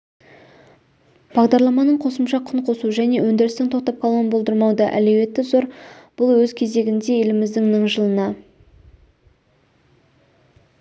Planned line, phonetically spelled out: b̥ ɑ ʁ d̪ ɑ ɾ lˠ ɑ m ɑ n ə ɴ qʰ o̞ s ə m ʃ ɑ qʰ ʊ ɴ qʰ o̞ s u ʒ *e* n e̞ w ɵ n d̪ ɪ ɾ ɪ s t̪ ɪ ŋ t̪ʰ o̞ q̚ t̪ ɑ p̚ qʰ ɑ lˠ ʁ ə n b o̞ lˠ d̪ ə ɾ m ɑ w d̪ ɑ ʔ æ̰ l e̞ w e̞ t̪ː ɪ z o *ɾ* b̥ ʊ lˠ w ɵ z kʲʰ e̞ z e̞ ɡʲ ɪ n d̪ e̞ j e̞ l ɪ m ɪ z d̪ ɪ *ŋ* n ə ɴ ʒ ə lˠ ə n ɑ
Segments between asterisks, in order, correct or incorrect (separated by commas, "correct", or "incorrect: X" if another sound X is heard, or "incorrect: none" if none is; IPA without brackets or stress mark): incorrect: æ, correct, correct